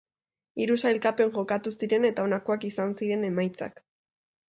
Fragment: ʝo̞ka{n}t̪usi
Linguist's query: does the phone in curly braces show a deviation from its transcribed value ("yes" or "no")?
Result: yes